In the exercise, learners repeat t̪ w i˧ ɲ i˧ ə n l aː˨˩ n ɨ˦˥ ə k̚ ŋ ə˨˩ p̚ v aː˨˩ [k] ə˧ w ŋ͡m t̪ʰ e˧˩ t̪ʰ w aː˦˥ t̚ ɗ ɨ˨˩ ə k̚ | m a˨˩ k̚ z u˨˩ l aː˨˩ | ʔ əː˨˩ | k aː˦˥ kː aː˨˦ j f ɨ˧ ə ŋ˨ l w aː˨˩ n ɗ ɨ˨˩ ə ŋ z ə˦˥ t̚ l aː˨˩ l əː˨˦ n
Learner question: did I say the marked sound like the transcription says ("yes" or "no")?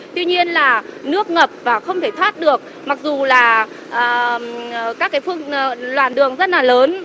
no